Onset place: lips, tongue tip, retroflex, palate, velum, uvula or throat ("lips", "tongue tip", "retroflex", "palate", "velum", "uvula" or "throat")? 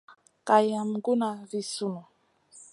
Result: velum